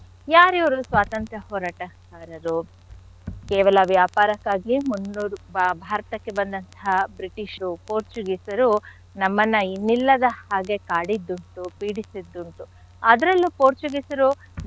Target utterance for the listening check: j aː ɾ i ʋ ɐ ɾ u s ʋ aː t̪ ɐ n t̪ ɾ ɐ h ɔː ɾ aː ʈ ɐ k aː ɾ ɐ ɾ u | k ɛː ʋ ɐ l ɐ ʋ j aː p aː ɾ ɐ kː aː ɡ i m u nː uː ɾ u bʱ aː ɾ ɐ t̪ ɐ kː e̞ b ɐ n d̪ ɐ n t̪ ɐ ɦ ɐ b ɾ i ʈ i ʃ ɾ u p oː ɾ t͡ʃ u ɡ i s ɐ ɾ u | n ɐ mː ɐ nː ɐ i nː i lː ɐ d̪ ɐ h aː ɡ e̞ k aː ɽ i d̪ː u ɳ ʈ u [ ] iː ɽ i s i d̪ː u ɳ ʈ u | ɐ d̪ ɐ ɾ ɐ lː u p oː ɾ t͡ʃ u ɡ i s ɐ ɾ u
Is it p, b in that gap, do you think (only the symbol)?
p